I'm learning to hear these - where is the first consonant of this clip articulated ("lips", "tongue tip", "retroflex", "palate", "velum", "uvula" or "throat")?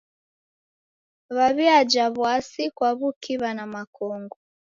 lips